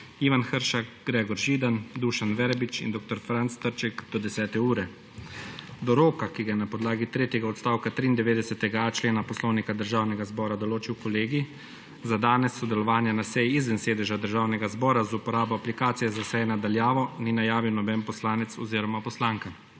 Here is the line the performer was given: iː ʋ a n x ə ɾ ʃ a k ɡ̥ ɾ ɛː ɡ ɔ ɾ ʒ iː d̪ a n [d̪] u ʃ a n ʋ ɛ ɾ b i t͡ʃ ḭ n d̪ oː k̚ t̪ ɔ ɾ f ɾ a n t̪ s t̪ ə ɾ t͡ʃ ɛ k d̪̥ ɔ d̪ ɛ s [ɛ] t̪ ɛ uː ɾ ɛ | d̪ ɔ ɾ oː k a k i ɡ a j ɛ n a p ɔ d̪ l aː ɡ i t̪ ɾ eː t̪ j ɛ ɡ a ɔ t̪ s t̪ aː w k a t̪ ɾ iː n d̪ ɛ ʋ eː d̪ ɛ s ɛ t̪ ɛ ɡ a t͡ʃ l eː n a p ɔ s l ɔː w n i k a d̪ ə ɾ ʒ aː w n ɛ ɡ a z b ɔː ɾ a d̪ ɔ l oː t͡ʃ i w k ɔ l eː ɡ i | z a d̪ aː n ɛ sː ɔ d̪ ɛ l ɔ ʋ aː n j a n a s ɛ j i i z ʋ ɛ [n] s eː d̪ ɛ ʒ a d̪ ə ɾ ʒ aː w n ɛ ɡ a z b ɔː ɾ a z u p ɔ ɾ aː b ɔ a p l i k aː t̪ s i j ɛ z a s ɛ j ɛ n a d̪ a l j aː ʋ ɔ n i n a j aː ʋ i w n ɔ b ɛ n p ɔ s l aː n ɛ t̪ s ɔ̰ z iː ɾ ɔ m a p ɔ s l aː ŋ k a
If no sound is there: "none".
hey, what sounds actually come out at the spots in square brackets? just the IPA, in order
d̪, ɛː, n

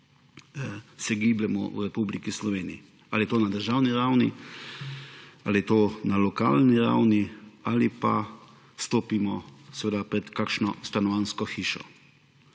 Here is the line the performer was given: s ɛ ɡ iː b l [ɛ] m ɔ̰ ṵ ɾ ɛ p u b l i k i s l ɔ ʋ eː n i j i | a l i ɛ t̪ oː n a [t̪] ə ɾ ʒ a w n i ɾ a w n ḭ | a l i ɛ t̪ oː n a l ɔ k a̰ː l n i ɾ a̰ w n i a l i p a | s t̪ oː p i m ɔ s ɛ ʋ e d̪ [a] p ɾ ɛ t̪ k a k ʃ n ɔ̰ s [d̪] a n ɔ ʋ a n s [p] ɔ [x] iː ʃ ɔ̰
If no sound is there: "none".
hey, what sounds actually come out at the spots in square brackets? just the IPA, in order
ɛ, d̪, a, t̪, k, x

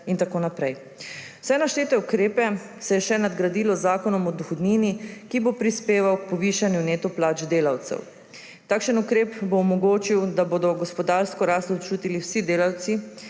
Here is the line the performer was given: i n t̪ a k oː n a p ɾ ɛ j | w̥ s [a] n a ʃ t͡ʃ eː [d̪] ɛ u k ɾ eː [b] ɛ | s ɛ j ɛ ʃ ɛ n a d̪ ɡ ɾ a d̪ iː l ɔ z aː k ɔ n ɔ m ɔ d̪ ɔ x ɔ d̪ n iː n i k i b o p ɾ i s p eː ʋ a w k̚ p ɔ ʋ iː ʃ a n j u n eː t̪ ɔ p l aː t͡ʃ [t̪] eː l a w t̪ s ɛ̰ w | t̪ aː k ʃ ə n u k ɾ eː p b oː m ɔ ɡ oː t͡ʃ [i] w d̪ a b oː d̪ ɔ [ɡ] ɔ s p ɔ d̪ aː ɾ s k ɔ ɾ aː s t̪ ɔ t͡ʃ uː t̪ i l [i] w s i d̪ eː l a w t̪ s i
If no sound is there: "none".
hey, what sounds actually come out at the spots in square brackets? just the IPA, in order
ɛ, t̪, p, d̪, i, ɡ, i

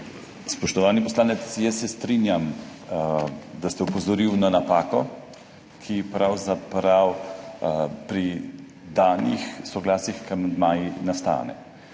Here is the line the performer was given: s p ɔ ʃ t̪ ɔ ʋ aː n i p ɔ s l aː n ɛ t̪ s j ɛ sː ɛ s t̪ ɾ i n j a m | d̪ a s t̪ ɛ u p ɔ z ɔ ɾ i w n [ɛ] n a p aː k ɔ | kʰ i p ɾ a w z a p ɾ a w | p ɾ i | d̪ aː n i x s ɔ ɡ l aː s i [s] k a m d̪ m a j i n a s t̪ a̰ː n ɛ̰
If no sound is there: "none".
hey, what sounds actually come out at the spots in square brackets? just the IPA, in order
a, x

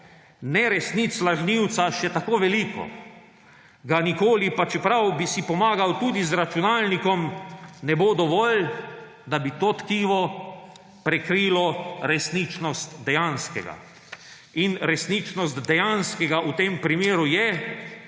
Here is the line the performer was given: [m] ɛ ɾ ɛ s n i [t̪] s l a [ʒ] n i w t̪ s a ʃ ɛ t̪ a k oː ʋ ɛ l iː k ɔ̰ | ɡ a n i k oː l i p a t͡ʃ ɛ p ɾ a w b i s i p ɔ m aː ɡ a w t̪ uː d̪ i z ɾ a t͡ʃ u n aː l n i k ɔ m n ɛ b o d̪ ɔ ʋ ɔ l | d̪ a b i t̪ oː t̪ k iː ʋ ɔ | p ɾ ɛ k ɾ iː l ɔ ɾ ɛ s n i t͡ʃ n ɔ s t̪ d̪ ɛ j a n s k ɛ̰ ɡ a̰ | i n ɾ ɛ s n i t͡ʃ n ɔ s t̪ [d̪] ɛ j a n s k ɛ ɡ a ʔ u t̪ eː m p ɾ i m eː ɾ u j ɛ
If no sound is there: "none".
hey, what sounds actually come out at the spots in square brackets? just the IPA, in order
n, t̪, ʒ, d̪

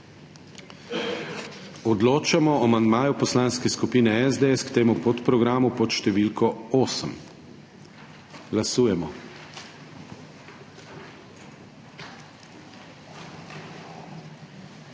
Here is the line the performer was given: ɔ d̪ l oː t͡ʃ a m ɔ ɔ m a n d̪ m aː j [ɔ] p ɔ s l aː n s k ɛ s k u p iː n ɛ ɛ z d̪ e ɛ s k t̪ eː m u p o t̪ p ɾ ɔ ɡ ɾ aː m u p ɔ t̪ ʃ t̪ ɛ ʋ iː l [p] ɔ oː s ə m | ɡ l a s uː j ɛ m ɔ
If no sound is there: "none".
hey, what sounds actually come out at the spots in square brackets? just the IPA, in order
u, k

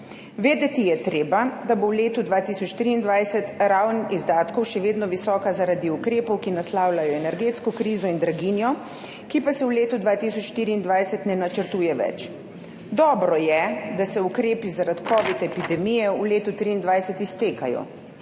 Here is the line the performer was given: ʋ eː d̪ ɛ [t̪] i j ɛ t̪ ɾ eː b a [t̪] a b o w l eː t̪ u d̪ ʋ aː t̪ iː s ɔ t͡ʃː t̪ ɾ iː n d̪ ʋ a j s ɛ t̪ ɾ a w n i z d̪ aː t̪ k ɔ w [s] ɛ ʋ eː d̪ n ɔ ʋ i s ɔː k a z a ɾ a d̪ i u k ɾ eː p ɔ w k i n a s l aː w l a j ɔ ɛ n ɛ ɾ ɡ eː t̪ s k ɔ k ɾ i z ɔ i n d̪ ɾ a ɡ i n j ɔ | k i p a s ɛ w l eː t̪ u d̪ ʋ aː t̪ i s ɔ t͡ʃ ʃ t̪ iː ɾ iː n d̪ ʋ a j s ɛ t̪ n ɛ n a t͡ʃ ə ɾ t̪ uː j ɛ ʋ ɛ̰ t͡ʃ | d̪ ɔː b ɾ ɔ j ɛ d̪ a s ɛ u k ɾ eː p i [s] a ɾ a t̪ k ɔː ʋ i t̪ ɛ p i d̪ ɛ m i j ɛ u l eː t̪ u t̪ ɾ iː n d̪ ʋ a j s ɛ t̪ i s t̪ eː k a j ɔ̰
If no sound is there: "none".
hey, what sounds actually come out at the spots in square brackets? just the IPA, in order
t̪, d̪, ʃ, z

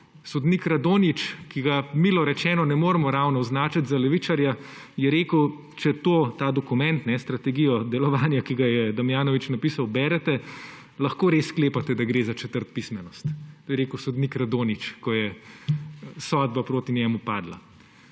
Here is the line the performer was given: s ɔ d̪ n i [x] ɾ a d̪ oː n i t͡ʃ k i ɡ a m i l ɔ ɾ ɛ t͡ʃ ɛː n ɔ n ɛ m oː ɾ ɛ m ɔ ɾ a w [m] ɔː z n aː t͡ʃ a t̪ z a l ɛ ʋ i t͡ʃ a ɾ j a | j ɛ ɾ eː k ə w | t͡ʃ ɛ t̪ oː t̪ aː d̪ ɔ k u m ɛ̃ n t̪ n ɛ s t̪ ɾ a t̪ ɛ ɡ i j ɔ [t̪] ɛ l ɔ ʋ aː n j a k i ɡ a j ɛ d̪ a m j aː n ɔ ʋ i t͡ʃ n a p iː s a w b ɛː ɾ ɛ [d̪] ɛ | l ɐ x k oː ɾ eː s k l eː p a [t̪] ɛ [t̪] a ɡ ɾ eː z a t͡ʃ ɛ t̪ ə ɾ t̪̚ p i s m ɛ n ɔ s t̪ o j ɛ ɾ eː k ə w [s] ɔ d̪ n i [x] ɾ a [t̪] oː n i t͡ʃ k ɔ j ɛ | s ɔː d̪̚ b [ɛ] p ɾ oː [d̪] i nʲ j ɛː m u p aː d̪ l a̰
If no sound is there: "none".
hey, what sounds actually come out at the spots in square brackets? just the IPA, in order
k, n, d̪, t̪, t̪, d̪, s, k, d̪, a, t̪

